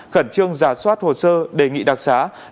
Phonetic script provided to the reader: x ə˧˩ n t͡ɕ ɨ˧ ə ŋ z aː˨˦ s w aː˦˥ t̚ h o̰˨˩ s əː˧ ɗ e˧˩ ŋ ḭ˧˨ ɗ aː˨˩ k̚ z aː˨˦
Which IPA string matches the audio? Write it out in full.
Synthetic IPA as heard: x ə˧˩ n t͡ɕ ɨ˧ ə ŋ z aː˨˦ s w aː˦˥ t̚ h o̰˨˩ s əː˧ ɗ e˧˩ ŋ ḭ˧˨ ɗ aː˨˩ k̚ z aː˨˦